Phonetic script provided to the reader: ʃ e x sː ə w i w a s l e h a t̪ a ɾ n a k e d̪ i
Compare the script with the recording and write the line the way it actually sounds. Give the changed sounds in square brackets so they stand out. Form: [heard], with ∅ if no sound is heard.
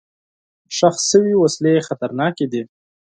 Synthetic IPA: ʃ [a] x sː ə w i w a s l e [x] a t̪ a ɾ n [ɑ] k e d̪ i